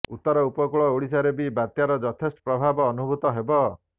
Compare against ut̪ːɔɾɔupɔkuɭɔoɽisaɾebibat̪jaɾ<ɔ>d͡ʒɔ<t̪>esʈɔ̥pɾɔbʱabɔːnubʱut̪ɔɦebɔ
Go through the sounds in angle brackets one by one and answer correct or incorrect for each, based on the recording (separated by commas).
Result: correct, incorrect